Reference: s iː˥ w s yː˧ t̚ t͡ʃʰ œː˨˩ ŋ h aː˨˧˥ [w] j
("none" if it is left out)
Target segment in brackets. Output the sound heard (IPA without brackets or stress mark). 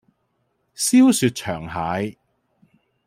none